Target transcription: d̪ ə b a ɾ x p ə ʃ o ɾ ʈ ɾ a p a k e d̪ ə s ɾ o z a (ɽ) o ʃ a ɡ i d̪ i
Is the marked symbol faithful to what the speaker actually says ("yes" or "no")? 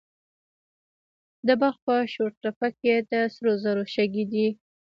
no